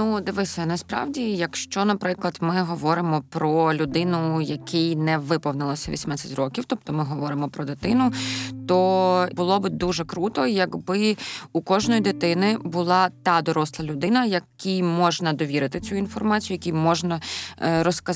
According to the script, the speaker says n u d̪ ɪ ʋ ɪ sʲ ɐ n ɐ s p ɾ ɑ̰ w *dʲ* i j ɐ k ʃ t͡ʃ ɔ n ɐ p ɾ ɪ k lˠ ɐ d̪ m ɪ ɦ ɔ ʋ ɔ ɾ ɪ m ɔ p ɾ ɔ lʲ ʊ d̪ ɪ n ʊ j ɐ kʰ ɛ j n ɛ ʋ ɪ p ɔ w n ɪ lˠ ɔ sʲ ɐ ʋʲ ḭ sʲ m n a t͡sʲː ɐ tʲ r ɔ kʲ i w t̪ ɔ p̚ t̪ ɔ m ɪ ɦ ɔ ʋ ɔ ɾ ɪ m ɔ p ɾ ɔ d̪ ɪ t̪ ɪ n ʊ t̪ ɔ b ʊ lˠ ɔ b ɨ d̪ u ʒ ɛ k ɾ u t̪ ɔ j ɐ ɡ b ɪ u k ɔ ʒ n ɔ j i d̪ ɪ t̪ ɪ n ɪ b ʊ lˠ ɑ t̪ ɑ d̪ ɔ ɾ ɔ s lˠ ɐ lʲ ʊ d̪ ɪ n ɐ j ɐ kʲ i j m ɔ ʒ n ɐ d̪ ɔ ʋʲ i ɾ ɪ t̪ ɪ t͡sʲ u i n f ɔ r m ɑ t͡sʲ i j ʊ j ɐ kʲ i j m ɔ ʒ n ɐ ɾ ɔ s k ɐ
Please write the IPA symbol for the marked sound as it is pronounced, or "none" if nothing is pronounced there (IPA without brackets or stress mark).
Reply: dʲ